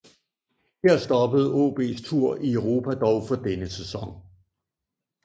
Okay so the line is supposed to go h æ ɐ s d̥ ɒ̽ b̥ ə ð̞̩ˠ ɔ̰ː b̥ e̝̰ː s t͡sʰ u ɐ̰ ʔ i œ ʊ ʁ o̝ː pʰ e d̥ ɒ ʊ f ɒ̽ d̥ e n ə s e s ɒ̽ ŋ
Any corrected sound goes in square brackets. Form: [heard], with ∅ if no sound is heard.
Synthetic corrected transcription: h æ ɐ s d̥ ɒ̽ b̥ ə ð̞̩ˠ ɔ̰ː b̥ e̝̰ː s t͡sʰ u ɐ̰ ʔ i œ ʊ ʁ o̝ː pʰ [æ] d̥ ɒ ʊ f ɒ̽ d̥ e n ə s e s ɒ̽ ŋ